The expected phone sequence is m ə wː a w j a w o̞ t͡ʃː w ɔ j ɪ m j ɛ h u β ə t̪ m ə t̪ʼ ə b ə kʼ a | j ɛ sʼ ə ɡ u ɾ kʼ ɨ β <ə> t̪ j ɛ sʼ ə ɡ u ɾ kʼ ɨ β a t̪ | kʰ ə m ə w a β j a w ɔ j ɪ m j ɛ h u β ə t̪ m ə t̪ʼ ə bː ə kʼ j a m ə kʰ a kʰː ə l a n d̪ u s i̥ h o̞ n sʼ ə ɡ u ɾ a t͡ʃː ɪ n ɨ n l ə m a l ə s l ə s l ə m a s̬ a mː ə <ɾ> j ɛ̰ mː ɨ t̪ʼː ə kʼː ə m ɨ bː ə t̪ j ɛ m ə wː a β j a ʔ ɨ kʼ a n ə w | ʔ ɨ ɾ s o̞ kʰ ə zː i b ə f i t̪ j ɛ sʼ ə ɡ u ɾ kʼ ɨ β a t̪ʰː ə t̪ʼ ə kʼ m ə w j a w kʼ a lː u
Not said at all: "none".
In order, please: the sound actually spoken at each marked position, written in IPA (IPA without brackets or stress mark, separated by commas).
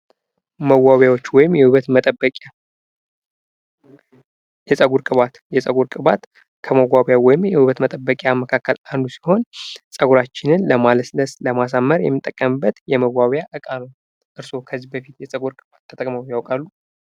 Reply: a, ɾ